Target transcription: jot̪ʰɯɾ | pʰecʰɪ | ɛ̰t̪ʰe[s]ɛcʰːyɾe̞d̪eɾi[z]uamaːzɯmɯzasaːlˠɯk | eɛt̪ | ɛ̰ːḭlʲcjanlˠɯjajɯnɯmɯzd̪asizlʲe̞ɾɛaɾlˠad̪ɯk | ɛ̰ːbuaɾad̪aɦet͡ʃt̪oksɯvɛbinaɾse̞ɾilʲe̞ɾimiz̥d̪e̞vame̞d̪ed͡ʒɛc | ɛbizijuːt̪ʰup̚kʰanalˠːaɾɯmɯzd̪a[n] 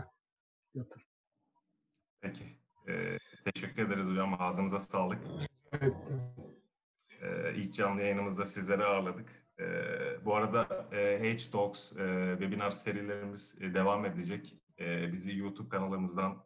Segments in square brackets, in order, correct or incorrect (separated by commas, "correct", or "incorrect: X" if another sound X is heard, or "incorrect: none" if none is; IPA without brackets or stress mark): incorrect: ʃ, correct, correct